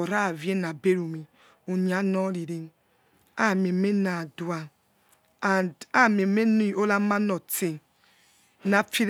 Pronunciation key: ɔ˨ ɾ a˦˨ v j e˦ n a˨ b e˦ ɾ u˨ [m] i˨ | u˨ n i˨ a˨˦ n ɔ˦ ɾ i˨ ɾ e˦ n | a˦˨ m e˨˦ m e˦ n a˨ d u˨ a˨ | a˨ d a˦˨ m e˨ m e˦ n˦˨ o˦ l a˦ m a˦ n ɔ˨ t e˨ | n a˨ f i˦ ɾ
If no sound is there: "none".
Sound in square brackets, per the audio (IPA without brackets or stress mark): m